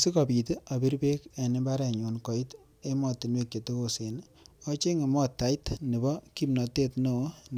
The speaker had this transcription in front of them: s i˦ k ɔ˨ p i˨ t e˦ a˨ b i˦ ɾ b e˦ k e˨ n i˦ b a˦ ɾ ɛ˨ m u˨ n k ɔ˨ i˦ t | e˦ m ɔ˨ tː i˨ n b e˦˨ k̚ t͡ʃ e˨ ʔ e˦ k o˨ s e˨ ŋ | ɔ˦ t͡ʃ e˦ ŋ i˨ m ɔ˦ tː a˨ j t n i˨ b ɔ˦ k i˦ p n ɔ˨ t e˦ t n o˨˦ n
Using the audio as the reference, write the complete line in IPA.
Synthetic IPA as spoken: s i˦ k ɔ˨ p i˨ t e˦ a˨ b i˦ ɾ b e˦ k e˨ n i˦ b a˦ ɾ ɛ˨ ɲ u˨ n k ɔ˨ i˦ t | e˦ m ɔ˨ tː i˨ n w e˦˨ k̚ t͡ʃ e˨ t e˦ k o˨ s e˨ n | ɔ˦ t͡ʃ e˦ ŋ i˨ m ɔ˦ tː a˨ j t n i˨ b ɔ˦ k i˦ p n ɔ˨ t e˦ t n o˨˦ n